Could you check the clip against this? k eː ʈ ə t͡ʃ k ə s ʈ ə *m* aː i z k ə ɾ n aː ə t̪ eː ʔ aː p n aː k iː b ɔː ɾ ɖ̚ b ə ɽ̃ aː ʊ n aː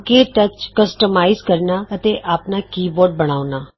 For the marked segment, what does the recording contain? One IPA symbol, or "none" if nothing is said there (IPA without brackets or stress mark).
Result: m